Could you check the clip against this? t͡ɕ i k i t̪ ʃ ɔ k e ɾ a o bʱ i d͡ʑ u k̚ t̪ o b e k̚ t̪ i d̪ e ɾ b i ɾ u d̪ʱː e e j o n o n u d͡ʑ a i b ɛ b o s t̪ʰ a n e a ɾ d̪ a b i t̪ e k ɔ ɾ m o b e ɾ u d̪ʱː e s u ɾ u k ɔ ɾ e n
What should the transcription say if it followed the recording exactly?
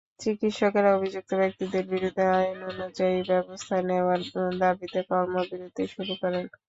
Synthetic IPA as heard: t͡ɕ i k i t̪ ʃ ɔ k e ɾ a o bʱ i d͡ʑ u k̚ t̪ o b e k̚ t̪ i d̪ e ɾ b i ɾ u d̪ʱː e a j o n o n u d͡ʑ a i b ɛ b o s t̪ʰ a n e a ɾ d̪ a b i t̪ e k ɔ ɾ m o b i ɾ u d̪ʱː e ʃ u ɾ u k ɔ ɾ e n